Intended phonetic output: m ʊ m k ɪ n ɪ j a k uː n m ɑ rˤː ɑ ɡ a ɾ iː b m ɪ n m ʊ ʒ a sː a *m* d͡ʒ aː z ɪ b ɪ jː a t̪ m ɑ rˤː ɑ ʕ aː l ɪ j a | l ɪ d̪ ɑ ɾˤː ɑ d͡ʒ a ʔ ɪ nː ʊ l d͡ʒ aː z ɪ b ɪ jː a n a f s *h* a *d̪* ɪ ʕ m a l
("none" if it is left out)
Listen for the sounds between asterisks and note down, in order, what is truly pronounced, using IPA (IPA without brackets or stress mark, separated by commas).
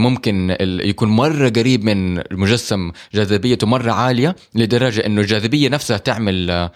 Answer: m, h, t̪